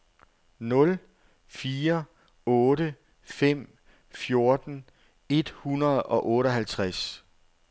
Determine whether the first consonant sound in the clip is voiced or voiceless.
voiced